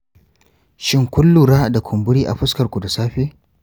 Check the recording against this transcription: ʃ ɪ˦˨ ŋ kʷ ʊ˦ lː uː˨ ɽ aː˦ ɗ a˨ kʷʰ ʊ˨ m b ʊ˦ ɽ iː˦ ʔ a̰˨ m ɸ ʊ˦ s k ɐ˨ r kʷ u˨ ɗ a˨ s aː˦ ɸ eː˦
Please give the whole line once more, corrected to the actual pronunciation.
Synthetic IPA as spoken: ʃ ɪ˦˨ ŋ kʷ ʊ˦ lː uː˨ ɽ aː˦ d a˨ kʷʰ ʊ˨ m b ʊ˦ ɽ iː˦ ʔ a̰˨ ɸ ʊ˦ s k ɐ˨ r kʷ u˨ d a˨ s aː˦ ɸ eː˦